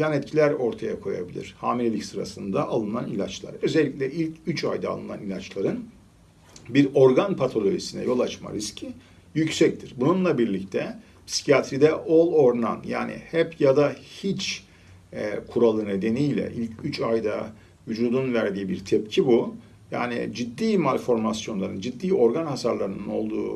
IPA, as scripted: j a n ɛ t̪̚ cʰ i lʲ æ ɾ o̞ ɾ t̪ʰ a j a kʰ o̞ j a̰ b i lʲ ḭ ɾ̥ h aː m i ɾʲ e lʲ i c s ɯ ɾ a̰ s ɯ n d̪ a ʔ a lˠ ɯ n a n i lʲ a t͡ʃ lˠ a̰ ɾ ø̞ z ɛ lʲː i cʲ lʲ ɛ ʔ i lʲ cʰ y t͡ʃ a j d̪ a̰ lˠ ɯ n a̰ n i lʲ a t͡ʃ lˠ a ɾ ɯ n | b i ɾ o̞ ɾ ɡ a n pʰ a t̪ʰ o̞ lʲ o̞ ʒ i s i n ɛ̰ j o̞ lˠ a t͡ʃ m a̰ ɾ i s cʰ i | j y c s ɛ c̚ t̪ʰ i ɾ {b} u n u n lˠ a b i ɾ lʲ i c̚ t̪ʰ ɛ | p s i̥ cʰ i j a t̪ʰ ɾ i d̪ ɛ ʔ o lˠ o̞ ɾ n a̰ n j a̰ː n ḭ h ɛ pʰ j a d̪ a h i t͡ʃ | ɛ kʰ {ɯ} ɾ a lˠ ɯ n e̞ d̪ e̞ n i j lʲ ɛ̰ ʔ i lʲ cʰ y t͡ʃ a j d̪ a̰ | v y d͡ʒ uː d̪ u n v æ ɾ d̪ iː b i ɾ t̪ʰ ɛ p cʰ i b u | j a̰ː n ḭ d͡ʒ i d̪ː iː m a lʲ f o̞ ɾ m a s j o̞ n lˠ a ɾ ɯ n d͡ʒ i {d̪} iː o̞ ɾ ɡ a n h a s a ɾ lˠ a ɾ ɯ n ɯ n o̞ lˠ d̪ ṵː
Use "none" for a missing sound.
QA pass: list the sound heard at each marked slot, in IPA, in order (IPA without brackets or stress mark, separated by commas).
b, u, d̪ː